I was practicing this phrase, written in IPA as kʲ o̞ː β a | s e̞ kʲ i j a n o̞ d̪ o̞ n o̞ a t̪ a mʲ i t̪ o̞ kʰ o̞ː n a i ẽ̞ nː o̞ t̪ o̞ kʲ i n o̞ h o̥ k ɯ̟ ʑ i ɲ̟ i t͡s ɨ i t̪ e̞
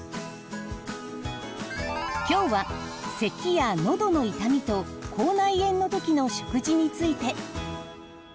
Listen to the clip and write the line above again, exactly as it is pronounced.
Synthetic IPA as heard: kʲ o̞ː β a | s e̞ kʲ i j a n o̞ d̪ o̞ n o̞ i t̪ a mʲ i t̪ o̞ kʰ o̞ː n a i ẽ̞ nː o̞ t̪ o̞ kʲ i n o̞ ɕ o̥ k ɯ̟ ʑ i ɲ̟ i t͡s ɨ i t̪ e̞